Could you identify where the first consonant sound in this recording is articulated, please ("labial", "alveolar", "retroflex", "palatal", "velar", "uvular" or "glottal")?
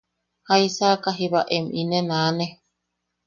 glottal